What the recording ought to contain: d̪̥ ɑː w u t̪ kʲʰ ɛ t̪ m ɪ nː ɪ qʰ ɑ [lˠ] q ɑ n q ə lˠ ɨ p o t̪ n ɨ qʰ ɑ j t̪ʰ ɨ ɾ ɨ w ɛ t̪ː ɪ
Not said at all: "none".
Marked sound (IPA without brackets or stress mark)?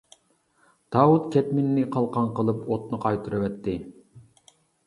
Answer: lˠ